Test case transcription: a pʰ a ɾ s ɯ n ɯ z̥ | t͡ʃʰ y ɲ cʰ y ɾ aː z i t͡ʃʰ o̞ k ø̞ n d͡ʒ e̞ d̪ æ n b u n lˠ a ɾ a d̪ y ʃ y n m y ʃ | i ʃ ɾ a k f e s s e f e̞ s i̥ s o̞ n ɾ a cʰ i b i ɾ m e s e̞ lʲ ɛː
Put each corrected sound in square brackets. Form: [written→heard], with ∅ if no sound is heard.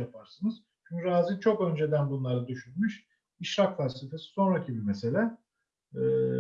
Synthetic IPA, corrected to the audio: a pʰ a ɾ s ɯ n ɯ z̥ | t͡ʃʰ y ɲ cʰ y ɾ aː z i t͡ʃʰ o̞ k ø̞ n d͡ʒ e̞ d̪ æ n b u n lˠ a ɾ a d̪ y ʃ y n m y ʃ | i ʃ ɾ a k f [e→a] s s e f e̞ s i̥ s o̞ n ɾ a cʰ i b i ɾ m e s e̞ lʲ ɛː